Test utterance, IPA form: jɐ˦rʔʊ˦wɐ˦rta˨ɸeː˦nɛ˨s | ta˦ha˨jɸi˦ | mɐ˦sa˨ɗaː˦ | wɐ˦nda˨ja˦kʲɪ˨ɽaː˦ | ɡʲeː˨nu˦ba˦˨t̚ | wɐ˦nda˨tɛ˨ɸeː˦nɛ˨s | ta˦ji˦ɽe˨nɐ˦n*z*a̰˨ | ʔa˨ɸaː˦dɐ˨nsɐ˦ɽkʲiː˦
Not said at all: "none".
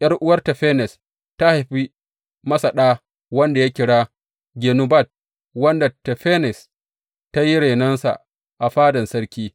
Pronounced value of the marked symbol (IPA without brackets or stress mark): s